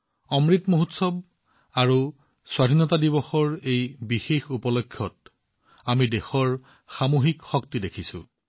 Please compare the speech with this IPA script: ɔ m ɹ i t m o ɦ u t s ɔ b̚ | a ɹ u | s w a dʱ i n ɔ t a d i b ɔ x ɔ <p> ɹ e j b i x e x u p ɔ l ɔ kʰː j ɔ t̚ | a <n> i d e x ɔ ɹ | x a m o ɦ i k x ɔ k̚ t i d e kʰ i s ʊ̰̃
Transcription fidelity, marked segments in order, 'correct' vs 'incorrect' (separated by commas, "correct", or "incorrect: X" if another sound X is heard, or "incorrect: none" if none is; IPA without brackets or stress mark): incorrect: none, incorrect: m